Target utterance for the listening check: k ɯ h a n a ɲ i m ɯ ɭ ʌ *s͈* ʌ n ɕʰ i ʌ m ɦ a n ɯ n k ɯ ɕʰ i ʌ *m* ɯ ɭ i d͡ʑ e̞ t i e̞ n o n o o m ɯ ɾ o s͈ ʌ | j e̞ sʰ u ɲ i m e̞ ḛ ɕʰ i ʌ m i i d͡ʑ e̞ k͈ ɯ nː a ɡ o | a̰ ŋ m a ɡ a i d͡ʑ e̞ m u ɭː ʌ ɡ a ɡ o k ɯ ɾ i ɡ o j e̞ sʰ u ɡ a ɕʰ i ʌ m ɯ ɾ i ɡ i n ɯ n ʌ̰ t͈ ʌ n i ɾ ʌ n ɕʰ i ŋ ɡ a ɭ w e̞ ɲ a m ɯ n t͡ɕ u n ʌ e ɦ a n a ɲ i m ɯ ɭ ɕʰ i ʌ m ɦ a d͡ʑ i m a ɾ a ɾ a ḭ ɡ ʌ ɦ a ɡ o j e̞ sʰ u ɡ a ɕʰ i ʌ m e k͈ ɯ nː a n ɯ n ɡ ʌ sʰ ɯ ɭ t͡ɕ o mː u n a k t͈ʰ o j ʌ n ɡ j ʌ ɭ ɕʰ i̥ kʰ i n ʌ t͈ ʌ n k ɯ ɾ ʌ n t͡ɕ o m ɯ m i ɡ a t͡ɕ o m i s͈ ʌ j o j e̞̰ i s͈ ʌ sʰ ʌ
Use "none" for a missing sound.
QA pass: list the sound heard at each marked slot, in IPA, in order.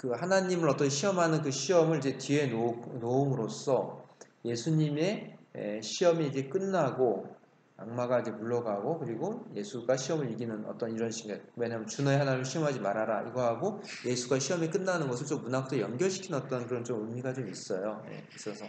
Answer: t͈, m

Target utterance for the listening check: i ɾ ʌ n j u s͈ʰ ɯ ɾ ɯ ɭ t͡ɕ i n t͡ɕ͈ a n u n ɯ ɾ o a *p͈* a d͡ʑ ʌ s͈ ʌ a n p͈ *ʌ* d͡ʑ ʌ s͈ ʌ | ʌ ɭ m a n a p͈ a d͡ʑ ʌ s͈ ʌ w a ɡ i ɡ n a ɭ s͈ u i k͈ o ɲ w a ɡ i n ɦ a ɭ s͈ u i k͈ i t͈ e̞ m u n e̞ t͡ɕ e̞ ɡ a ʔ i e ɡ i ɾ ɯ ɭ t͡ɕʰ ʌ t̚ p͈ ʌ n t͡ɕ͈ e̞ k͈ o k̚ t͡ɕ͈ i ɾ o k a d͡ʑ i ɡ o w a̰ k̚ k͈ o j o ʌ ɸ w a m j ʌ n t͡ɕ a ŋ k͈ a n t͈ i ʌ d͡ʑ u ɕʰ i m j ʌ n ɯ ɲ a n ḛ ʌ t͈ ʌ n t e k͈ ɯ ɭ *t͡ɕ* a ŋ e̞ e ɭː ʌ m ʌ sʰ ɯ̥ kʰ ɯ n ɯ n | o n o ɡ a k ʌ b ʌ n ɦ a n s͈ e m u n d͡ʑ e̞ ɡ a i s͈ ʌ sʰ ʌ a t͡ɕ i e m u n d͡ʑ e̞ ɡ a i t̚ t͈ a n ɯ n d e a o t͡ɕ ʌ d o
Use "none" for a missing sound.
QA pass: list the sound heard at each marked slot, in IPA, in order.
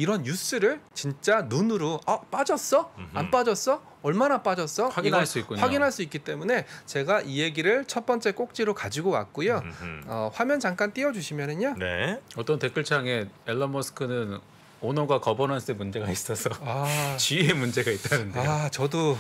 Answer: p͈, a, t͡ɕʰ

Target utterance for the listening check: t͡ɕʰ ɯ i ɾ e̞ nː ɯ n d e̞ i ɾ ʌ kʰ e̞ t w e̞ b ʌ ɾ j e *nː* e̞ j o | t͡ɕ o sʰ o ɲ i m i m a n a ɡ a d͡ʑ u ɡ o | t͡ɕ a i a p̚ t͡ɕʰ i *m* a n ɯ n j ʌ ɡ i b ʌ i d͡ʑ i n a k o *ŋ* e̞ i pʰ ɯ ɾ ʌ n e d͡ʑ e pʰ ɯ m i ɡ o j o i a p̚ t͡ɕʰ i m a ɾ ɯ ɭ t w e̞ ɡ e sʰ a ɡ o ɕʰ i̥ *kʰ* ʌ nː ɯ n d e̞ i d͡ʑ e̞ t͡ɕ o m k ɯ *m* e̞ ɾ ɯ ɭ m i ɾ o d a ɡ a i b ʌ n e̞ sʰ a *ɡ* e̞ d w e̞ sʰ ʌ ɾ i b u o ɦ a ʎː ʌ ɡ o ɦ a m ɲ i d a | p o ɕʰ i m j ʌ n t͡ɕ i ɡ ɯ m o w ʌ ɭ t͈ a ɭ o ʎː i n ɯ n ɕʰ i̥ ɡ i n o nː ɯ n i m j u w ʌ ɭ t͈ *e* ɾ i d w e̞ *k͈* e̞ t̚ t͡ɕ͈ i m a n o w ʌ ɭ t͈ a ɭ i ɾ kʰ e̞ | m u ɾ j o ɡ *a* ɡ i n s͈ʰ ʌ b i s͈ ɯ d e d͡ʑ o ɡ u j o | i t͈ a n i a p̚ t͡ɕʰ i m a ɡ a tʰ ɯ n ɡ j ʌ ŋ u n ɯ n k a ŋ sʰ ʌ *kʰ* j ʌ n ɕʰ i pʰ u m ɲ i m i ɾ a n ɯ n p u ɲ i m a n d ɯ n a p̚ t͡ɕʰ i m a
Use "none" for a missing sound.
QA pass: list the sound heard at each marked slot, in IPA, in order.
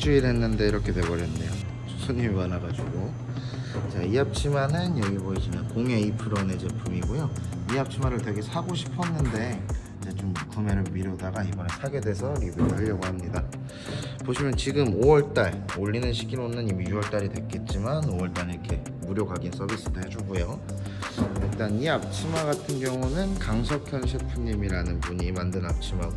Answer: nː, m, ŋ, pʰ, m, ɡ, a, k͈, a, kʰ

